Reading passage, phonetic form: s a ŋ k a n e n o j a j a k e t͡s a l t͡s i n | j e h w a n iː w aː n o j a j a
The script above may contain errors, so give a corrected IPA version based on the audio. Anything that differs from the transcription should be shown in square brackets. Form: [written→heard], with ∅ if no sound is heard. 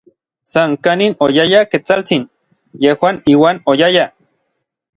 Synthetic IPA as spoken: s a ŋ k a n [e→i] n o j a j a k e t͡s a l t͡s i n | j e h w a n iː w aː n o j a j a